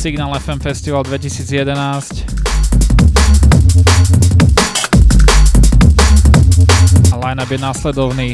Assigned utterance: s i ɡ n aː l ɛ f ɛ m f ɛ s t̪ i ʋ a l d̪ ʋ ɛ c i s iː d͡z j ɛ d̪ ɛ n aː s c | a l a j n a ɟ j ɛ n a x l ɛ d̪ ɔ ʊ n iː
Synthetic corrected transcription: s i ɡ n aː l ɛ f ɛ m f ɛ s t̪ i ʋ a l d̪ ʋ ɛ c i s iː d͡z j ɛ d̪ ɛ n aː s c | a l a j n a b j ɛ n a s l ɛ d̪ ɔ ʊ n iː